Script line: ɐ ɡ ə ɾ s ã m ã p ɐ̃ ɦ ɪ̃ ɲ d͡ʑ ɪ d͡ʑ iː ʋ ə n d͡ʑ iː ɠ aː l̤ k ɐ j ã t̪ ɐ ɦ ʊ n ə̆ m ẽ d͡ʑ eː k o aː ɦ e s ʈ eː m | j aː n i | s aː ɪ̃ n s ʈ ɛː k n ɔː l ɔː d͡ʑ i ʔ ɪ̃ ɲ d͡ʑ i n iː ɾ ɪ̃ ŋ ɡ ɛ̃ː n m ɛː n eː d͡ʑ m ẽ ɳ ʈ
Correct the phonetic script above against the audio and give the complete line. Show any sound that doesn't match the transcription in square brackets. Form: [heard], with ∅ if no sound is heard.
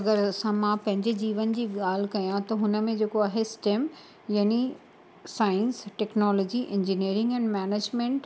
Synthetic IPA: ɐ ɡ ə ɾ s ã m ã p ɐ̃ ɦ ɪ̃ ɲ d͡ʑ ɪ d͡ʑ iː ʋ ə n d͡ʑ iː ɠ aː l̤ k ɐ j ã t̪ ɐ ɦ ʊ n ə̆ m ẽ d͡ʑ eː k o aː ɦ e s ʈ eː m | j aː n i | s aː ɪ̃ n s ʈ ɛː k n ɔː l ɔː d͡ʑ i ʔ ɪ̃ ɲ d͡ʑ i n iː ɾ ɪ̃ ŋ ɡ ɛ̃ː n m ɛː n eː d͡ʑ m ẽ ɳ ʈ

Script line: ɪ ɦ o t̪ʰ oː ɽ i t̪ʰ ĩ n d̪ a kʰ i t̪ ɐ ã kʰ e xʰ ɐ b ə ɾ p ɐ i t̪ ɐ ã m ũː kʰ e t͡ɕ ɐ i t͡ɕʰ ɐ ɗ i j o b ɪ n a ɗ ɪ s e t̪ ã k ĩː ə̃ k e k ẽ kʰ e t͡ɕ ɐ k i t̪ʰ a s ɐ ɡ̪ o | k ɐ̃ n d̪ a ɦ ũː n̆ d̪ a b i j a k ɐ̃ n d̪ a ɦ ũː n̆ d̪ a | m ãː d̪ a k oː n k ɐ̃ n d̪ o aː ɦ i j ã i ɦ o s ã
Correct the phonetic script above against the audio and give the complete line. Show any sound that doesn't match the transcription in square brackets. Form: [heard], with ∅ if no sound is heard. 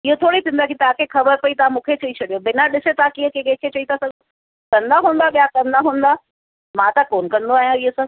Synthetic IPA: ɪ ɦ o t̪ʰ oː ɽ i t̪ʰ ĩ n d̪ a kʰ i t̪ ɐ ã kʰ e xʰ ɐ b ə ɾ p ɐ i t̪ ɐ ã m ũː kʰ e t͡ɕ ɐ i t͡ɕʰ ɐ ɗ i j o b ɪ n a ɗ ɪ s e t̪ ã k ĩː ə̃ k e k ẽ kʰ e t͡ɕ ɐ [∅] i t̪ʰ a s ɐ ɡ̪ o | k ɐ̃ n d̪ a ɦ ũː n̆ d̪ a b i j a k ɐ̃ n d̪ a ɦ ũː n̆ d̪ a | m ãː [t̪] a k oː n k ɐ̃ n d̪ o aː ɦ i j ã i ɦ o s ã

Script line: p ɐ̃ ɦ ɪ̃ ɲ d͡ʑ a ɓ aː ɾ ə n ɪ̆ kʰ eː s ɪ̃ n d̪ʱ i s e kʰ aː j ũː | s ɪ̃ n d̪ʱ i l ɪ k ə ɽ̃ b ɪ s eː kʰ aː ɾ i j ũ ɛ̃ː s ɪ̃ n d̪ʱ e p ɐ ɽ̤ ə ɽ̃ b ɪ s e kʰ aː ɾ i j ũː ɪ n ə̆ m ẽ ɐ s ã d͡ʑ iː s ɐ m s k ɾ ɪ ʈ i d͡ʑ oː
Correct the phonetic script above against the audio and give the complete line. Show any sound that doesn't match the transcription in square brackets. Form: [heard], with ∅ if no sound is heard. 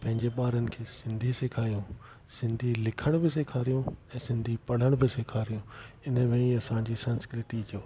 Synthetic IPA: p ɐ̃ ɦ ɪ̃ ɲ d͡ʑ [e] ɓ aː ɾ ə n ɪ̆ kʰ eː s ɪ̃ n d̪ʱ i s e kʰ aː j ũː | s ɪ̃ n d̪ʱ i l ɪ [kʰ] ə ɽ̃ b ɪ s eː kʰ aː ɾ i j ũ ɛ̃ː s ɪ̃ n d̪ʱ [i] p ɐ ɽ̤ ə ɽ̃ b ɪ s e kʰ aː ɾ i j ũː ɪ n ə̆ m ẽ ɐ s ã d͡ʑ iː s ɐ [n] s k ɾ ɪ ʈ i d͡ʑ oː

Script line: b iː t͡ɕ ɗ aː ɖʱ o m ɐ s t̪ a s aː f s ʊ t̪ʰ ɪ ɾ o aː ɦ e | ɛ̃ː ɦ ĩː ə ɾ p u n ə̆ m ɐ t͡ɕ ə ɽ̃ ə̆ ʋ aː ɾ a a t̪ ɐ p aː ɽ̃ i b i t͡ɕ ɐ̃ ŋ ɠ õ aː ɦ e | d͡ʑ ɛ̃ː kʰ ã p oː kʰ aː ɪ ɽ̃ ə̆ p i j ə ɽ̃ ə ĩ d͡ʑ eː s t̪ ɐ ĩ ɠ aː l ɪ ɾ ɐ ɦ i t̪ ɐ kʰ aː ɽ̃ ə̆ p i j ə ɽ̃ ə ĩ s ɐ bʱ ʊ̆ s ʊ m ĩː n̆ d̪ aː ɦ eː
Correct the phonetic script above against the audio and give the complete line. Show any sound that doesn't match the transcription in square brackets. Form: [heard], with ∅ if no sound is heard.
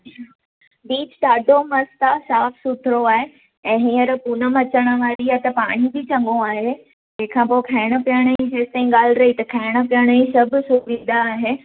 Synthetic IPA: b iː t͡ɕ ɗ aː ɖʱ o m ɐ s t̪ a s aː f s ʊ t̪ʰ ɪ ɾ o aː ɦ e | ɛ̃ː ɦ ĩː ə ɾ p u n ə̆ m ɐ t͡ɕ ə ɽ̃ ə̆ ʋ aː ɾ [i] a t̪ ɐ p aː ɽ̃ i b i t͡ɕ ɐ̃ ŋ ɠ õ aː ɦ e | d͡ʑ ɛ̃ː kʰ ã p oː kʰ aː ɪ ɽ̃ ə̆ p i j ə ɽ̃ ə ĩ d͡ʑ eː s t̪ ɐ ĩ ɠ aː l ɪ ɾ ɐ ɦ i t̪ ɐ kʰ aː ɽ̃ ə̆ p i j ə ɽ̃ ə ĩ s ɐ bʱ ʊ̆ s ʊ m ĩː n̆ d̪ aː ɦ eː

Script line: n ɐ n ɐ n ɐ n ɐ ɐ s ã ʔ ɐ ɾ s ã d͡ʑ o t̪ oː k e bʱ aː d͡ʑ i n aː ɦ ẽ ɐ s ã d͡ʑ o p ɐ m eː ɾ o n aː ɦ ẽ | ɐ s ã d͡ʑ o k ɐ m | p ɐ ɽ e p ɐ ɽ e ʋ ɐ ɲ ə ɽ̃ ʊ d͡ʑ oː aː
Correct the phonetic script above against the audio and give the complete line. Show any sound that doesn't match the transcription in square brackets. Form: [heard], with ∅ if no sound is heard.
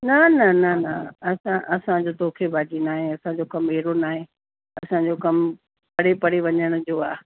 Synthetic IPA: n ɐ n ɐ n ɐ n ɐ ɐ s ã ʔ ɐ [∅] s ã d͡ʑ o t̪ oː [kʰ] e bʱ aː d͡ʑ i n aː ɦ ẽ ɐ s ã d͡ʑ o [k] ɐ m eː ɾ o n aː ɦ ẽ | ɐ s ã d͡ʑ o k ɐ m | p ɐ ɽ e p ɐ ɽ e ʋ ɐ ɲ ə ɽ̃ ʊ d͡ʑ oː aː

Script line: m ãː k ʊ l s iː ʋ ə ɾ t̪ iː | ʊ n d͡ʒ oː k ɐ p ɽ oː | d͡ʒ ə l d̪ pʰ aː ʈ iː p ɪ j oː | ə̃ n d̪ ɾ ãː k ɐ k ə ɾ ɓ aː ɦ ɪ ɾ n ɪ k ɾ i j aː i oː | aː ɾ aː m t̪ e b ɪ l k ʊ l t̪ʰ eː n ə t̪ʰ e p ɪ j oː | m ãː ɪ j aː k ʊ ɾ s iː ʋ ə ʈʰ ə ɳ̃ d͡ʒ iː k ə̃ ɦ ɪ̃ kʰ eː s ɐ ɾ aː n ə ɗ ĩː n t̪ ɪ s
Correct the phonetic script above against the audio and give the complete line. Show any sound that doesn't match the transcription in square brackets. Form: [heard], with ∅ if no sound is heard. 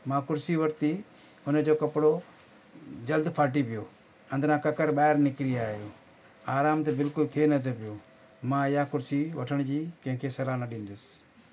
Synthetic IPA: m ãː k ʊ [ɾ] s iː ʋ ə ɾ t̪ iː | ʊ n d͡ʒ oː k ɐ p ɽ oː | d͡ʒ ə l d̪ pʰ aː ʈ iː p ɪ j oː | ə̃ n d̪ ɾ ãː k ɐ k ə ɾ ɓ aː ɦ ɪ ɾ n ɪ k ɾ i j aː [j] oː | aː ɾ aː m t̪ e b ɪ l k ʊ l t̪ʰ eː n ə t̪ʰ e p ɪ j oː | m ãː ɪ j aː k ʊ ɾ s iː ʋ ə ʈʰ ə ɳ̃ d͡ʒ iː k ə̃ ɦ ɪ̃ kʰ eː s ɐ [l] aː n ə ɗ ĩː n [d̪] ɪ s

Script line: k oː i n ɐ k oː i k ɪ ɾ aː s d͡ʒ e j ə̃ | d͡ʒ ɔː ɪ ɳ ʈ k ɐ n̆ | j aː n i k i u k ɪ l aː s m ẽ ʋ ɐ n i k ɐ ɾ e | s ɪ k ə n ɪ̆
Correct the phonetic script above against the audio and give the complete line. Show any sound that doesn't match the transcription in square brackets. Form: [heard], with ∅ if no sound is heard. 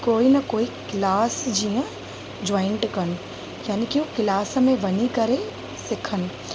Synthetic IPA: k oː i n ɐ k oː i k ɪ [l] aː s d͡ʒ [i] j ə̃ | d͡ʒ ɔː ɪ ɳ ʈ k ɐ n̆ | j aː n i k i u k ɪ l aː s m ẽ ʋ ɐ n i k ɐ ɾ e | s ɪ [kʰ] ə n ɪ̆

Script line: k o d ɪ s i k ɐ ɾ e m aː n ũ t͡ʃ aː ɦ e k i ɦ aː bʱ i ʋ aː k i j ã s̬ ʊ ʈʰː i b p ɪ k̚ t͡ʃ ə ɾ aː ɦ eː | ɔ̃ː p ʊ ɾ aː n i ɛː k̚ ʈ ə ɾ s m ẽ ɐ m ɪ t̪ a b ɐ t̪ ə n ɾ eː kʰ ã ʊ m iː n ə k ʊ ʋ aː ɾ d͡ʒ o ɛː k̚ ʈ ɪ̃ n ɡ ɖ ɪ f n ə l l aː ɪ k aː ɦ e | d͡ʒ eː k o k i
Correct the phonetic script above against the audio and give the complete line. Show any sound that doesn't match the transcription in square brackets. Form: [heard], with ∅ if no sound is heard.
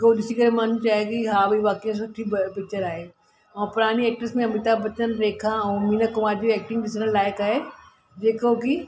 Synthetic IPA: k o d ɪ s i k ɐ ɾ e m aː n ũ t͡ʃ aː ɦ e k i ɦ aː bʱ i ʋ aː k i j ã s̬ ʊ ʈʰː i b p ɪ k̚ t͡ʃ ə ɾ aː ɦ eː | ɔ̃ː p ʊ ɾ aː n i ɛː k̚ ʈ ə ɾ s m ẽ ɐ m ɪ t̪ a b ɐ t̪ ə n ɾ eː kʰ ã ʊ m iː n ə k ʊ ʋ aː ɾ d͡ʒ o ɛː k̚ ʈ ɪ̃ [ŋ] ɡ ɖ ɪ [s] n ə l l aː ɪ k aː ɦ e | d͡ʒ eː k o k i

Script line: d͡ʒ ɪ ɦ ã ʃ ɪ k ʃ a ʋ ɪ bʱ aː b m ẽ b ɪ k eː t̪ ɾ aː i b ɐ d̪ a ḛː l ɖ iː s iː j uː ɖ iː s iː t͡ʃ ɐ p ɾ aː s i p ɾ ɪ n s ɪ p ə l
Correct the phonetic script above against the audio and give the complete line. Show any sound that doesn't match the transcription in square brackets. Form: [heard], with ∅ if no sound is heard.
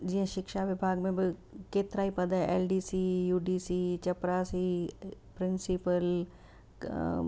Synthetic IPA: d͡ʒ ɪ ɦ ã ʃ ɪ k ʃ a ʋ ɪ bʱ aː [ɡ] m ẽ b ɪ k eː t̪ ɾ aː i [p] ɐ d̪ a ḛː l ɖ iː s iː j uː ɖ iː s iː t͡ʃ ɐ p ɾ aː s i p ɾ ɪ n s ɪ p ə l

